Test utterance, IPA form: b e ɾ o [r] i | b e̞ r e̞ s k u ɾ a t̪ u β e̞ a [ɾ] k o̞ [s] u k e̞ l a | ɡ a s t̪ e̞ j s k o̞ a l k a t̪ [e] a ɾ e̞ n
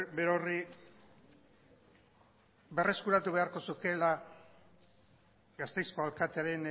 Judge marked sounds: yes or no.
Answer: yes, yes, yes, yes

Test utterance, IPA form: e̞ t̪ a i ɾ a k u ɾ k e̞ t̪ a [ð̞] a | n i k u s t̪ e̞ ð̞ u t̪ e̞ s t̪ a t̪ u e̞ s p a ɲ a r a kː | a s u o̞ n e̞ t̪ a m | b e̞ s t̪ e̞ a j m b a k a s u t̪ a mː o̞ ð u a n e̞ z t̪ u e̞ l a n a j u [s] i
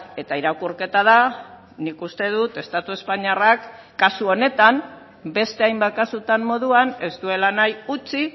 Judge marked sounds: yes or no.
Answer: yes, no

